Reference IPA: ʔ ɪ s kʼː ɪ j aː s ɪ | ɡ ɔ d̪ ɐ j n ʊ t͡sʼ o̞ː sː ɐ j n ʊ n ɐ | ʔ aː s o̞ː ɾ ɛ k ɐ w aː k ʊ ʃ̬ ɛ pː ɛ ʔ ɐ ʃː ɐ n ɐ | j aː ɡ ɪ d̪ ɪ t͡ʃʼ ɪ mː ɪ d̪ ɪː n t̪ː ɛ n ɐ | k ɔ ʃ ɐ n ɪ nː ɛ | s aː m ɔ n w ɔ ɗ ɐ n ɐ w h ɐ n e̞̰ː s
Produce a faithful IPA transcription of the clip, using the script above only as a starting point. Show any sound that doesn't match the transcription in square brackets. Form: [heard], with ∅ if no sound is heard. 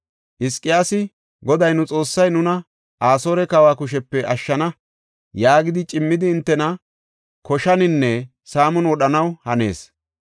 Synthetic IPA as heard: ʔ ɪ s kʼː ɪ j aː s ɪ | ɡ ɔ d̪ ɐ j n ʊ t͡sʼ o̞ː sː ɐ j n ʊ n ɐ | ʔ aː s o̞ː ɾ ɛ k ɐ w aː k ʊ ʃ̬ ɛ pː ɛ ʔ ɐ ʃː ɐ n ɐ | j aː ɡ ɪ d̪ ɪ t͡ʃʼ ɪ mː ɪ d̪ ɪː n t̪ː ɛ n ɐ | k ɔ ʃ ɐ n ɪ nː ɛ | s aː m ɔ n w ɔ ɗ ɐ n ɐ w h ɐ n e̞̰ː s